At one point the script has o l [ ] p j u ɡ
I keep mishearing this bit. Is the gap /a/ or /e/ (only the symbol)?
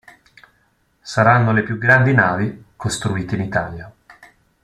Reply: e